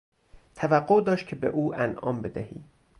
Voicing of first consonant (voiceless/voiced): voiceless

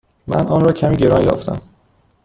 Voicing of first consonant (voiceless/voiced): voiced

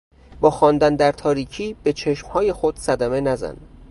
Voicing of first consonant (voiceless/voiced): voiced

